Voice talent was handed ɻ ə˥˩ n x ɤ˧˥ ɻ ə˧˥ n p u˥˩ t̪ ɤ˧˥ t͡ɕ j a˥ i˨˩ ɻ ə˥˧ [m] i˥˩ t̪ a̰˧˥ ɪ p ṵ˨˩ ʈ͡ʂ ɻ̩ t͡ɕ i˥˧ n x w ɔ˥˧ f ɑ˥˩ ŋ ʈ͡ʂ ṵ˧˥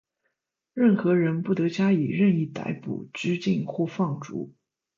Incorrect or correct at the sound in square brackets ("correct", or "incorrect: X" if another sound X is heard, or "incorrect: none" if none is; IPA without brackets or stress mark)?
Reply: incorrect: n